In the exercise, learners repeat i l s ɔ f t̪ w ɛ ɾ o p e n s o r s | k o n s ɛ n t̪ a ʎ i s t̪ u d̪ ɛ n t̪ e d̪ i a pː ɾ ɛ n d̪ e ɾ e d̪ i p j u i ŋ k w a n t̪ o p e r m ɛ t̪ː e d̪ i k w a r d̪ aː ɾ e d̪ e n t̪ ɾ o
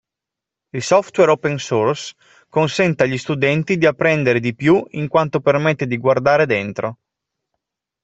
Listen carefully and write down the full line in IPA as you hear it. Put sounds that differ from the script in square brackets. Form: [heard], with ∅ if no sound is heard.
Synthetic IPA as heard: i l s ɔ f t̪ w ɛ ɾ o p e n s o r s | k o n s ɛ n t̪ a ʎ i s t̪ u d̪ ɛ n t̪ [i] d̪ i a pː ɾ ɛ n d̪ e ɾ e d̪ i p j u i ŋ k w a n t̪ o p e r m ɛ t̪ː e d̪ i [ɡ] w a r d̪ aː ɾ e d̪ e n t̪ ɾ o